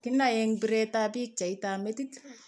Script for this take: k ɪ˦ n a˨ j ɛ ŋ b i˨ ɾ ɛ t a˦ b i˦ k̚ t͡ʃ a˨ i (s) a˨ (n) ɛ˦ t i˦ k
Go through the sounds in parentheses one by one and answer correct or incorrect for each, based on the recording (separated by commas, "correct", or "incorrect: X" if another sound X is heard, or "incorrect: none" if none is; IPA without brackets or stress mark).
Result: incorrect: t, incorrect: m